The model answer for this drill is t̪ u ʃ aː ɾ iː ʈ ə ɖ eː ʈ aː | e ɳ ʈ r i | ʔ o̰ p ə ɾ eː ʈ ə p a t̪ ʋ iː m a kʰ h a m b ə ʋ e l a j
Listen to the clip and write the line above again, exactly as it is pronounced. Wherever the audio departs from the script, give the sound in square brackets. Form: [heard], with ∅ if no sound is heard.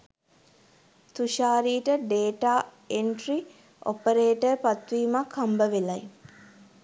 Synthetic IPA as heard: t̪ u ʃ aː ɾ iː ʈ ə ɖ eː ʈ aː | e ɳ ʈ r i | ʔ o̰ p ə ɾ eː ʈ ə p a t̪ ʋ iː m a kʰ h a m b ə ʋ e l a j